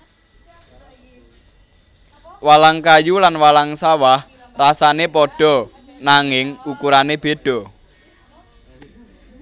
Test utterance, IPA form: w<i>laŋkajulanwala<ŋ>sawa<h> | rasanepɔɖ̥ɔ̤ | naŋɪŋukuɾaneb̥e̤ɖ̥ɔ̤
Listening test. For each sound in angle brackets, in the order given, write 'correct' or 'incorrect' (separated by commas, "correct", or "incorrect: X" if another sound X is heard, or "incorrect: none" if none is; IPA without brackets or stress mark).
incorrect: a, correct, correct